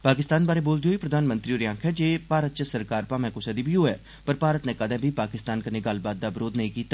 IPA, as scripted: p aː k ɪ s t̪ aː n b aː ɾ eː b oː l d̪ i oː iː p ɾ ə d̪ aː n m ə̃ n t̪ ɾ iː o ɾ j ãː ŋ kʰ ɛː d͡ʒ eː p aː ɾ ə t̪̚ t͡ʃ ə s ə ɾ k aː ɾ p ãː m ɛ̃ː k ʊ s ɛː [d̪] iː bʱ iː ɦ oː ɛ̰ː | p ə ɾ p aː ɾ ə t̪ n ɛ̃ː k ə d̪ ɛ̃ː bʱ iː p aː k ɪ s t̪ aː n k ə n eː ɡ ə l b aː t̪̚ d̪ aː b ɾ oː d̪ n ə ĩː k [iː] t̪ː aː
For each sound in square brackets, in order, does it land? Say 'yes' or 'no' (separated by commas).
yes, yes